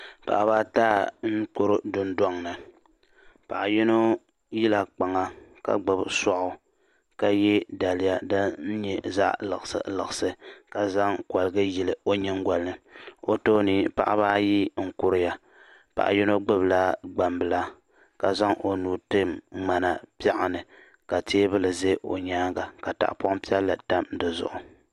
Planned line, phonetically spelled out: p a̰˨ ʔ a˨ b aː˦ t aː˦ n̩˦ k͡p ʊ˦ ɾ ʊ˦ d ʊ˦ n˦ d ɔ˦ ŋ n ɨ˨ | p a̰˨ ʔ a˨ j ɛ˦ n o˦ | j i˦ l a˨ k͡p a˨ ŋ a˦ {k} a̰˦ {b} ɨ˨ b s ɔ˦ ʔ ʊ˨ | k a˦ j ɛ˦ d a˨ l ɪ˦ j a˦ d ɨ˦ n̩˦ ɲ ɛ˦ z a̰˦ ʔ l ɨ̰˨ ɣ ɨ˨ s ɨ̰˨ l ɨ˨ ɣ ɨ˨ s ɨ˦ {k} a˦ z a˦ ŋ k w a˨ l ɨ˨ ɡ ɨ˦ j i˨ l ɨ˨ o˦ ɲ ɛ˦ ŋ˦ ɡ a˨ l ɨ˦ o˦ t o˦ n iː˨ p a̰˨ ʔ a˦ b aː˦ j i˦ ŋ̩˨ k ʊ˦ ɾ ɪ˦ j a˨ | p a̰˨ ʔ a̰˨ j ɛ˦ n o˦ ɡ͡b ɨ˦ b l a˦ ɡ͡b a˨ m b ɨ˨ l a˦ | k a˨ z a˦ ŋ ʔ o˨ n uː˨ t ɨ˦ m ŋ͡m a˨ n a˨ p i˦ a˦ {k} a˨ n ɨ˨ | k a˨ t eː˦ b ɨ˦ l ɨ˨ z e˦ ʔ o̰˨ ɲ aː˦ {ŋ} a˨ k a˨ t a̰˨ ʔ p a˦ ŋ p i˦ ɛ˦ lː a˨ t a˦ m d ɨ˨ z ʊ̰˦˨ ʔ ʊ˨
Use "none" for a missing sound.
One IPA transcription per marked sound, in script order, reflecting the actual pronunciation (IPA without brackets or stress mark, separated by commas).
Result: k, ɡ͡b, k, ʔ, ɡ